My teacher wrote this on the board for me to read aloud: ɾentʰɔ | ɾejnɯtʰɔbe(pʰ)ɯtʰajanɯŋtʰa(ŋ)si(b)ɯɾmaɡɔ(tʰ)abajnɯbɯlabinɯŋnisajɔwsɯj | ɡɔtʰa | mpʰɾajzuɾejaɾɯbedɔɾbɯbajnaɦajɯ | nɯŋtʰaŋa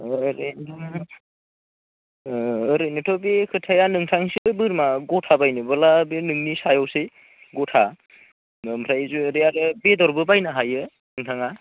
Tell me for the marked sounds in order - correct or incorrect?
incorrect, correct, correct, correct

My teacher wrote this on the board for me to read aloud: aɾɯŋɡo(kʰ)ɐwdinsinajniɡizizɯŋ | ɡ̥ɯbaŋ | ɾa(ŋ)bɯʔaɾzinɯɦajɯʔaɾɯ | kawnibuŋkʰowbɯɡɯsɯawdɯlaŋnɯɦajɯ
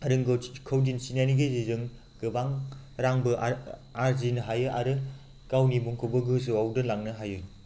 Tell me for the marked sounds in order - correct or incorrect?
correct, correct

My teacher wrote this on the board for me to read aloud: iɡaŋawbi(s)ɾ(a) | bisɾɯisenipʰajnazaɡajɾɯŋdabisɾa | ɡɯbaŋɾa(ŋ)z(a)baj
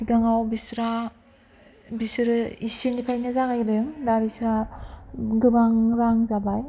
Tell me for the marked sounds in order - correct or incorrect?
correct, correct, correct, correct

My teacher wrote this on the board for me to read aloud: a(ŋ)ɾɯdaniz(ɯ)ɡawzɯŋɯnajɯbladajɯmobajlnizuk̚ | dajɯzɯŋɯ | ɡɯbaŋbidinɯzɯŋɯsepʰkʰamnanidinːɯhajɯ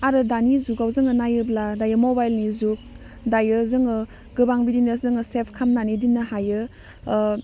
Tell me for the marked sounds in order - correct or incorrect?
incorrect, incorrect

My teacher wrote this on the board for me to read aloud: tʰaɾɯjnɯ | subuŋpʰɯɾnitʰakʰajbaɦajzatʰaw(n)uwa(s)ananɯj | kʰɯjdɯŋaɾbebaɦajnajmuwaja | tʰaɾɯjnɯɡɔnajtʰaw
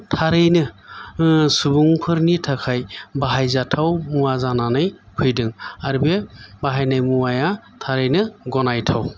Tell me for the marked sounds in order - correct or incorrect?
incorrect, incorrect

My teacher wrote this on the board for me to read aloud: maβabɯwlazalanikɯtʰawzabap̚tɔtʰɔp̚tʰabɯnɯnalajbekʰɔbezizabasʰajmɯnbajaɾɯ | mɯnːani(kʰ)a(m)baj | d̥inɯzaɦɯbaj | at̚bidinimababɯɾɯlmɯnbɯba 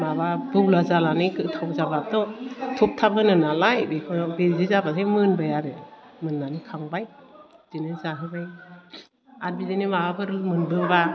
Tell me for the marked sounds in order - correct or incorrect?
correct, incorrect

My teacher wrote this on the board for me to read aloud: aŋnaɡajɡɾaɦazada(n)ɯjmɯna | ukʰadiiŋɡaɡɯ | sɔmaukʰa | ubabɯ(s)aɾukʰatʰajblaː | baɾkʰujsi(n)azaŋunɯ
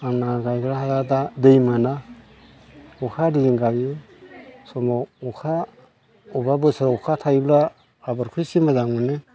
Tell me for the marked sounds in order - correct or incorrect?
incorrect, correct, incorrect

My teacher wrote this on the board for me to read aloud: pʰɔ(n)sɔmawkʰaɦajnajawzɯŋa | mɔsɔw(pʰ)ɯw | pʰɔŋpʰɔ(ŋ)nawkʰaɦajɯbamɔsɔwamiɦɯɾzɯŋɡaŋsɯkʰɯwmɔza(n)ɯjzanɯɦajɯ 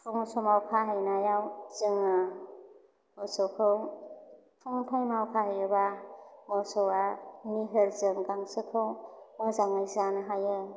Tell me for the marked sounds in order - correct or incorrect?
incorrect, incorrect, correct, incorrect

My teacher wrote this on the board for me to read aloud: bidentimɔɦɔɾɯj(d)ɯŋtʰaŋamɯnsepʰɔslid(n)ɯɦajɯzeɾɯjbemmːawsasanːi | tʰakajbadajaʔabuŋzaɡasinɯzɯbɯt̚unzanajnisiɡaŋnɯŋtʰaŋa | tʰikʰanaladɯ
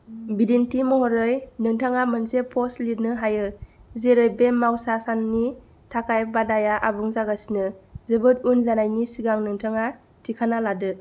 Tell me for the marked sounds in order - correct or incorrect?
incorrect, correct

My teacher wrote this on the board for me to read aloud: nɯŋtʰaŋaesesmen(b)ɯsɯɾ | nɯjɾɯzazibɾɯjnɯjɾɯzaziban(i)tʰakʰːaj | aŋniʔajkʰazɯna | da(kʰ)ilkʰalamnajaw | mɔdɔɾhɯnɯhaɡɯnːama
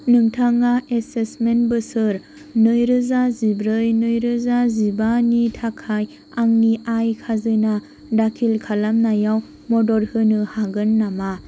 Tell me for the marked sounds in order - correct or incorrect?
correct, correct, correct

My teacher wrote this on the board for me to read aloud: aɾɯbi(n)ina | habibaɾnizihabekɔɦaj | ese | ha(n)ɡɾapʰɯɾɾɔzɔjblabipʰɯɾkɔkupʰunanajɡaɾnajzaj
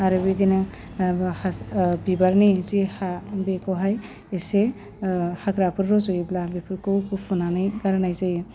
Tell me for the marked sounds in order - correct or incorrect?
incorrect, incorrect

